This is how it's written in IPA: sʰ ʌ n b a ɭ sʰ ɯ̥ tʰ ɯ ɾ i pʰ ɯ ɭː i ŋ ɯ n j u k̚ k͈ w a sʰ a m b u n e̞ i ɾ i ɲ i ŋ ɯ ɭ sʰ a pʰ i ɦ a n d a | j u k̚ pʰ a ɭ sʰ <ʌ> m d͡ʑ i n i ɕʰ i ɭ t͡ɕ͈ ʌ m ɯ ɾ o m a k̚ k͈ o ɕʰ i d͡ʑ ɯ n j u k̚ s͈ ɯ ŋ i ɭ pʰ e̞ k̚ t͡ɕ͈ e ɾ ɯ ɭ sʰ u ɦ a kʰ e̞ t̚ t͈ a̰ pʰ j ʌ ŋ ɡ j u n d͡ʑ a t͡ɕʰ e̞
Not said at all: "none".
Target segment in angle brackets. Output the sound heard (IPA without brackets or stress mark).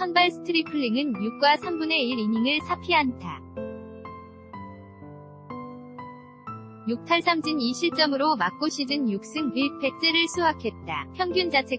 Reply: a